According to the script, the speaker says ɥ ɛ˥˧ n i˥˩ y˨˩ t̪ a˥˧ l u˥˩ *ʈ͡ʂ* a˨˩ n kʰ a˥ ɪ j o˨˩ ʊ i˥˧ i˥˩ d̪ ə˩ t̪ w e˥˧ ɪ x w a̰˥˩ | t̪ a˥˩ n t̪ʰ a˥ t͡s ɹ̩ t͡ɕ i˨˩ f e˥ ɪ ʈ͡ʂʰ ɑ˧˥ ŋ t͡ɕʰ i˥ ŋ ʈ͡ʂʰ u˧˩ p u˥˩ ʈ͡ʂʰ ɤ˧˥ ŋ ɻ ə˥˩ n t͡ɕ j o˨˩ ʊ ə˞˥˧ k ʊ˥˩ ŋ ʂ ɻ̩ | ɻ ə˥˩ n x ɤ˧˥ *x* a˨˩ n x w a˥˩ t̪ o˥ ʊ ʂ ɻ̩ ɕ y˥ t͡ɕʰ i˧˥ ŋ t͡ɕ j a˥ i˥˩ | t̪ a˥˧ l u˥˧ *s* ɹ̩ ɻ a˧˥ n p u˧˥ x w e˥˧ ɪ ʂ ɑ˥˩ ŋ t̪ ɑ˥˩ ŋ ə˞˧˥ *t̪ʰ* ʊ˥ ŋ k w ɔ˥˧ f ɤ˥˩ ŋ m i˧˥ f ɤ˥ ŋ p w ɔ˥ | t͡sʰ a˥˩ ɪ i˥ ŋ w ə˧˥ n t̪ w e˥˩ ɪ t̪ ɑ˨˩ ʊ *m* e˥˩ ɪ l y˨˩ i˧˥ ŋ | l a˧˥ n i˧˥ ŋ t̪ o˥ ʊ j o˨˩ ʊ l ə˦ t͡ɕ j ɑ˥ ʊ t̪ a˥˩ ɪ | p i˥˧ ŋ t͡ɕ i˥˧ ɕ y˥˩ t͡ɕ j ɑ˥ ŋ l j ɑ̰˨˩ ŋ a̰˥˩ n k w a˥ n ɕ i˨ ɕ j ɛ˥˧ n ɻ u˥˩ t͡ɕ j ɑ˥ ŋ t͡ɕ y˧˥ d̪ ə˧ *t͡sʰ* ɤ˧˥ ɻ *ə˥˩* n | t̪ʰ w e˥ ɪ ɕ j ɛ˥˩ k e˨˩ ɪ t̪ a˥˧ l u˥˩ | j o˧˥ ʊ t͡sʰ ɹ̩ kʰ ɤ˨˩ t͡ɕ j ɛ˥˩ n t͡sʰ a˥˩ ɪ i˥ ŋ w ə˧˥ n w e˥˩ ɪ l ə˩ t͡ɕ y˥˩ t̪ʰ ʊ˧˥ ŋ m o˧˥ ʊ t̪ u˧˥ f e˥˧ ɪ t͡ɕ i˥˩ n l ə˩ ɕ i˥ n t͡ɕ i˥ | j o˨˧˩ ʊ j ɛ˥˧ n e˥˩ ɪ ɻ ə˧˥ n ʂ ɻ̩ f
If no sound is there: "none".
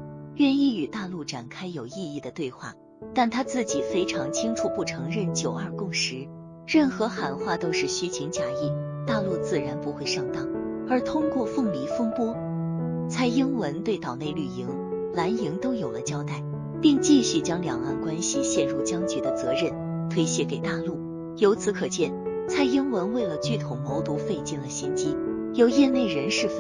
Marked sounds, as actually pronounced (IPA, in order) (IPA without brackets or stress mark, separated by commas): ʈ͡ʂ, x, t͡s, t̪ʰ, n, t͡s, ə˥˩